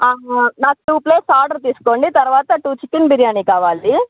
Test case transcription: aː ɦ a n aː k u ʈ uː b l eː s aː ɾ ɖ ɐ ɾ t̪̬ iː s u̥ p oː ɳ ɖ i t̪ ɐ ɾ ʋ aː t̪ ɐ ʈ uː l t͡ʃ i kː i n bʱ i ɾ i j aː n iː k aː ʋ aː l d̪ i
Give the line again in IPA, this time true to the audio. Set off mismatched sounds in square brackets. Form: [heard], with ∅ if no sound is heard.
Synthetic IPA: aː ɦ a n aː k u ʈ uː [p] l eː s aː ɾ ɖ ɐ ɾ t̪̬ iː s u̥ [k] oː ɳ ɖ i t̪ ɐ ɾ ʋ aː t̪ ɐ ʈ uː [∅] t͡ʃ i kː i n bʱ i ɾ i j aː n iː k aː ʋ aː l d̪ i